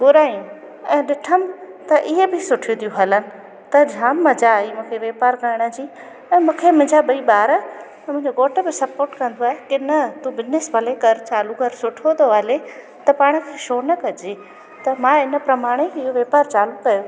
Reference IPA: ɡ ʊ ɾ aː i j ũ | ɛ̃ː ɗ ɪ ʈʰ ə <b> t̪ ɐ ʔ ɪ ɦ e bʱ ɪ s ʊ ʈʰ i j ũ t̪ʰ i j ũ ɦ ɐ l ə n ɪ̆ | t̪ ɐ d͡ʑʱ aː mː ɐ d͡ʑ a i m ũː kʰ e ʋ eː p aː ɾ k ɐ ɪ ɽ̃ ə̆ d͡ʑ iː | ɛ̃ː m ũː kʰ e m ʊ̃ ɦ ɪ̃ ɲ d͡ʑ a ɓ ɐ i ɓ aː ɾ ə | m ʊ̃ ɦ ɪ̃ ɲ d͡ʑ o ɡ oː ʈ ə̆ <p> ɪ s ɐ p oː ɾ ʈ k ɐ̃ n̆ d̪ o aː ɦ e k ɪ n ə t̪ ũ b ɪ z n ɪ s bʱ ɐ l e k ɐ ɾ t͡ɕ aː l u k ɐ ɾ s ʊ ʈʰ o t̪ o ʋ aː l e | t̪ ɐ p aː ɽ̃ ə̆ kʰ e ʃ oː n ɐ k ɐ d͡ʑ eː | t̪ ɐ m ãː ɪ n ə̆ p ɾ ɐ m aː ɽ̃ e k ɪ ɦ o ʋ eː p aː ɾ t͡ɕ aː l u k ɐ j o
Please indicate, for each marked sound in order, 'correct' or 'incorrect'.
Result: incorrect, incorrect

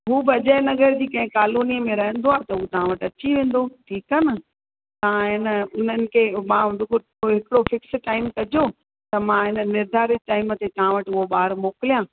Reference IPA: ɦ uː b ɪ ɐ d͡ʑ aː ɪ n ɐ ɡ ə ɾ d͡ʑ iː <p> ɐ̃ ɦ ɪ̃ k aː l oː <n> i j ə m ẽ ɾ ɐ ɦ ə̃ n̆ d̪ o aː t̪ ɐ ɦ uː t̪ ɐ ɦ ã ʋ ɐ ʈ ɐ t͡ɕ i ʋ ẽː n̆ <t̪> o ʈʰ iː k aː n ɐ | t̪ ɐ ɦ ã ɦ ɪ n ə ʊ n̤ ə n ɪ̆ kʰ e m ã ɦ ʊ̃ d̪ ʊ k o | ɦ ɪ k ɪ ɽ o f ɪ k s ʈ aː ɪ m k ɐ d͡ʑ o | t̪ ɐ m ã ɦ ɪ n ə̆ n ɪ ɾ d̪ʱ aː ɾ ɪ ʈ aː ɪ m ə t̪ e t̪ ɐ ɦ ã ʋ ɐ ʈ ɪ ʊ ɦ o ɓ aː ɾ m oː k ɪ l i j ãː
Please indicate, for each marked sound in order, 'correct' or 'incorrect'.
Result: incorrect, correct, incorrect

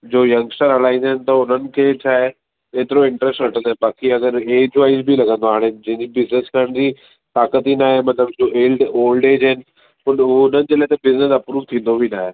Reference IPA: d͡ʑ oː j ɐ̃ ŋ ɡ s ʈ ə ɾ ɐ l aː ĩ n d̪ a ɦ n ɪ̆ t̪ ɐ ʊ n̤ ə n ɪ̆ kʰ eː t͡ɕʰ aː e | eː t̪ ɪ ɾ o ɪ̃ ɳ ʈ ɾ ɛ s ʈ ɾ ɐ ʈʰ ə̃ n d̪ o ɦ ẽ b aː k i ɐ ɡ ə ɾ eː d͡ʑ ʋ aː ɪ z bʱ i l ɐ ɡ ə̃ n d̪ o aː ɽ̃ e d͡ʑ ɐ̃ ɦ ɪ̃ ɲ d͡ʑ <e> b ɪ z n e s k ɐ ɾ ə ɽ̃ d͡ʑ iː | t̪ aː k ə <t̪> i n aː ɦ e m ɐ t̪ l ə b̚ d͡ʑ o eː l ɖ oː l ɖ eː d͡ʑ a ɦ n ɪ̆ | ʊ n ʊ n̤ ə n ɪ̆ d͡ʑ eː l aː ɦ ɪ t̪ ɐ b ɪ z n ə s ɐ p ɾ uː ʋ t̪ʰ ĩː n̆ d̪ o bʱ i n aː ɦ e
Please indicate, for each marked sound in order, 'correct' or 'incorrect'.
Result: incorrect, correct

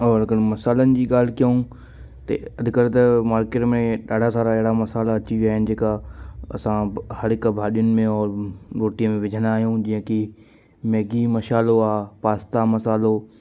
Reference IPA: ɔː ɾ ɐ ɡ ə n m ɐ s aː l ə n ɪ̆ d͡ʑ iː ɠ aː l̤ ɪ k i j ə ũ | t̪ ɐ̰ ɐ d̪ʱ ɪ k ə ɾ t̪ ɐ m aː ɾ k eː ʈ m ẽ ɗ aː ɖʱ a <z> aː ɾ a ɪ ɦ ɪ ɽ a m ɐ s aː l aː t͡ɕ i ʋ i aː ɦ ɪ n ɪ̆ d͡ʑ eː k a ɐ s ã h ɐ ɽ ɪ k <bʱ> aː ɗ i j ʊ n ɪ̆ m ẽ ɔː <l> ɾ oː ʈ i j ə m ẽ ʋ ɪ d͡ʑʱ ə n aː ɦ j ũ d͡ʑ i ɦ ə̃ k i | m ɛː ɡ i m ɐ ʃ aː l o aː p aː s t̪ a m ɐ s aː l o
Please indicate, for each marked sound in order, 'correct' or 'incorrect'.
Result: incorrect, correct, incorrect

